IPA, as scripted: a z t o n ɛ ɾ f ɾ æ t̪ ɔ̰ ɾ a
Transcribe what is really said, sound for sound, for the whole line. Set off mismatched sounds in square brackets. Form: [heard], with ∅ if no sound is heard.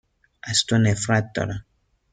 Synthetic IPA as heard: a [s] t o n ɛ [∅] f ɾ [a] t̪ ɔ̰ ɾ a